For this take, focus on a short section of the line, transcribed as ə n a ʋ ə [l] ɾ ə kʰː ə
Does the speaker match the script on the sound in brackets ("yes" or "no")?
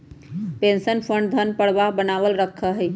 yes